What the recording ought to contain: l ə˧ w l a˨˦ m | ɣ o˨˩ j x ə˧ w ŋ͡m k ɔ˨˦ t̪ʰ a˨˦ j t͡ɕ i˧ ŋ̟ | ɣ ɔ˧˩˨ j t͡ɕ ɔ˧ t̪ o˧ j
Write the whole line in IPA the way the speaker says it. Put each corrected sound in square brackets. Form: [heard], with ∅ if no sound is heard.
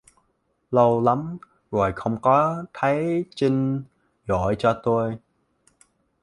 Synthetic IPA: l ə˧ w l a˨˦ m | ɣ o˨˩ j x ə˧ w ŋ͡m k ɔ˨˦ t̪ʰ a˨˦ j t͡ɕ i˧ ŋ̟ | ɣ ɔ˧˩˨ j t͡ɕ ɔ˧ t̪ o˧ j